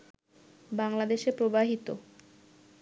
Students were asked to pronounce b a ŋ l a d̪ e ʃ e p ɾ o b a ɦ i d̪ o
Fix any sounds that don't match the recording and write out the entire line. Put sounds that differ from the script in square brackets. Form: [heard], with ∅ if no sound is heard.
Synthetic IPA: b a ŋ l a d̪ e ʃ e p ɾ o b a ɦ i [t̪] o